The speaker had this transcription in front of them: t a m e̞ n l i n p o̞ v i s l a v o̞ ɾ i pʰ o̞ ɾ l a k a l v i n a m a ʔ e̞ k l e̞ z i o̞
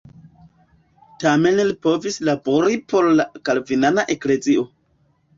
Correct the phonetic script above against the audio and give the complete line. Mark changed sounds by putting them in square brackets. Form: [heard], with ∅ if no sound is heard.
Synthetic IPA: t a m e̞ n l i [∅] p o̞ v i s l a [b] o̞ ɾ i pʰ o̞ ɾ l a k a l v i n a [n] a ʔ e̞ k l e̞ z i o̞